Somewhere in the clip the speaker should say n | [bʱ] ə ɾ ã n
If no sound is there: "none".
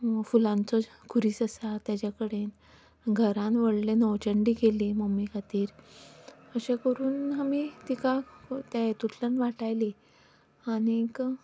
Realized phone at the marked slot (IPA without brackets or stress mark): ɡʱ